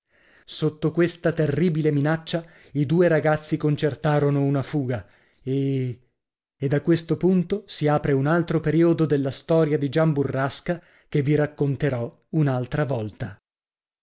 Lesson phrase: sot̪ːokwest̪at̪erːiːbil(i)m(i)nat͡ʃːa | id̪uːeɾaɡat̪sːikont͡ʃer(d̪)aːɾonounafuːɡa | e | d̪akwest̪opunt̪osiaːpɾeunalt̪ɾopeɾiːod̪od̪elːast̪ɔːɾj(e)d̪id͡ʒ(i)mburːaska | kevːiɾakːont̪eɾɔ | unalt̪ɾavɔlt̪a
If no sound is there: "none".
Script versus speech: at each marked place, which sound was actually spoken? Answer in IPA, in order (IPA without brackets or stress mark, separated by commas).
e, i, t̪, a, a